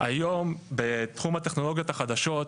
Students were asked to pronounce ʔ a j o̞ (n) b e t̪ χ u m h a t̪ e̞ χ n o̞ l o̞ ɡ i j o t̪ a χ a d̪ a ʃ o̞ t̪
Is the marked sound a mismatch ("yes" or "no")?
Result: yes